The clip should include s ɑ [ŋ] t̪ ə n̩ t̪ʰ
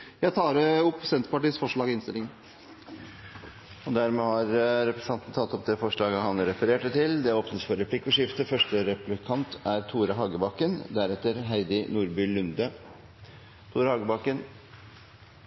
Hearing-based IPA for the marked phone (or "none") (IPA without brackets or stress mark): n